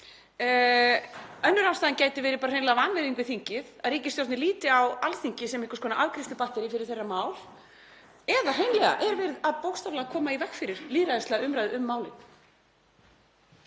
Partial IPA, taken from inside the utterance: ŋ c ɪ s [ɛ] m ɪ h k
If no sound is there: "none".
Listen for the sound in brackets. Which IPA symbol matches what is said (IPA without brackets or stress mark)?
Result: ɛ